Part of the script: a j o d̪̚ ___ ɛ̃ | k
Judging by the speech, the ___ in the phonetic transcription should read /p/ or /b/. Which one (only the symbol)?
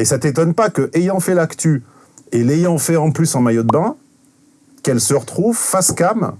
b